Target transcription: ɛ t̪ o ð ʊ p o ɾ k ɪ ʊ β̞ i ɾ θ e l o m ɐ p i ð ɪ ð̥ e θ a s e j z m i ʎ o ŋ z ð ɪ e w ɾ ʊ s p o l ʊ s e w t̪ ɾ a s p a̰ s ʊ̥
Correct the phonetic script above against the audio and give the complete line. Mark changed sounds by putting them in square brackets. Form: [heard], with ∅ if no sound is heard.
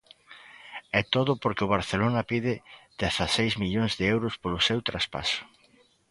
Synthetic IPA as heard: ɛ t̪ o ð ʊ p o ɾ k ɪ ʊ β̞ [a] ɾ θ e l o [n] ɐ p i ð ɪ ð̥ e θ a s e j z m i ʎ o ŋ z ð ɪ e w ɾ ʊ s p o l ʊ s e w t̪ ɾ a s p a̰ s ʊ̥